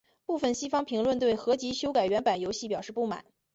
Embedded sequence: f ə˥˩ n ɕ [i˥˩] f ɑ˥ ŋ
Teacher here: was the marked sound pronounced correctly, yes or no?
no